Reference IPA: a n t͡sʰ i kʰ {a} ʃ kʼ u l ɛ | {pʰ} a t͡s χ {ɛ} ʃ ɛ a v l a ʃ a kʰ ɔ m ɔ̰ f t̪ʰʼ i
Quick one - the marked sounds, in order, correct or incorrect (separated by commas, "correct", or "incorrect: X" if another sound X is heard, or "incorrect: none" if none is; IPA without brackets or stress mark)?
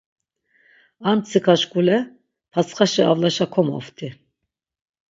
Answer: correct, correct, incorrect: a